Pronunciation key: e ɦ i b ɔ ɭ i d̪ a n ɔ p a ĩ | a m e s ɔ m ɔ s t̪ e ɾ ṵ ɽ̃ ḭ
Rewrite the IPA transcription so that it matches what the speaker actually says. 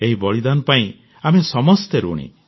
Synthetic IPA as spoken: e ɦ i b ɔ ɭ i d̪ a n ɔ p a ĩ | a m e s ɔ m ɔ s t̪ e ɾ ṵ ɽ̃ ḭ